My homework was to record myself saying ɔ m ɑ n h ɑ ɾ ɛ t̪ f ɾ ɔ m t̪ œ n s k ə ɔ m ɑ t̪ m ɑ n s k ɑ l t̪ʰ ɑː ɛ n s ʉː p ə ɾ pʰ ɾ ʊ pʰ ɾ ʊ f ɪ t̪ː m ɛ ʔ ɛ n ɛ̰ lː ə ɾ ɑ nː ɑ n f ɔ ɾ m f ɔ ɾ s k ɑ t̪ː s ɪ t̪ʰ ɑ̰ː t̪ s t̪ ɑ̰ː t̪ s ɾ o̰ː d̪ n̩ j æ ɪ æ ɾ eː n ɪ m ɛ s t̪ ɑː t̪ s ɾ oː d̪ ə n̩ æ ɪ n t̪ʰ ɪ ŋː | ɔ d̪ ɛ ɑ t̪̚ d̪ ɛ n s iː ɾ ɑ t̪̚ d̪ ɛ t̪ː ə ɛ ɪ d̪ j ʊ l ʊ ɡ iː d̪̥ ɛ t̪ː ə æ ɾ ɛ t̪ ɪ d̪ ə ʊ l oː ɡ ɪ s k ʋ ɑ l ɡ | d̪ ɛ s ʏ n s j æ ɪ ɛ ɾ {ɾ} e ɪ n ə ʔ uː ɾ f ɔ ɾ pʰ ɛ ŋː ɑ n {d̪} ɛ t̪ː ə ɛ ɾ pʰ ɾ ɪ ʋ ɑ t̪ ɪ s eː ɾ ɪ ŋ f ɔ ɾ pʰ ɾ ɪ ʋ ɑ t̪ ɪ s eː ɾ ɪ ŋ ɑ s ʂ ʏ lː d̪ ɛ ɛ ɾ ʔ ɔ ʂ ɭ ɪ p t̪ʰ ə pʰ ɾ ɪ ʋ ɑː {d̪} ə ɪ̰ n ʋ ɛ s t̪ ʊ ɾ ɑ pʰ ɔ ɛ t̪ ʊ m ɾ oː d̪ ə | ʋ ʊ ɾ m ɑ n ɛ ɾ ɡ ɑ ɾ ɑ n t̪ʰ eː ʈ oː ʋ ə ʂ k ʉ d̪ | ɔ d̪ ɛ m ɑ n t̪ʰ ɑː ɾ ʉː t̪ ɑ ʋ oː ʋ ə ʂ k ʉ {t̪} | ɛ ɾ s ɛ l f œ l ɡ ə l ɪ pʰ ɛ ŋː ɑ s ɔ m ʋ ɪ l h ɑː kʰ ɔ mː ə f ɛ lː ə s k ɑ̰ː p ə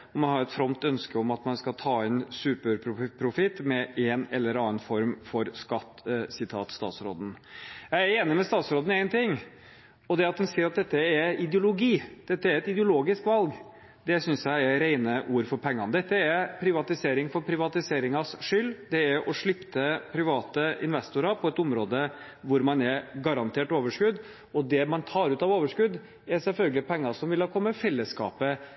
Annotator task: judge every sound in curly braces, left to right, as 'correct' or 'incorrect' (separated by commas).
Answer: correct, correct, incorrect, incorrect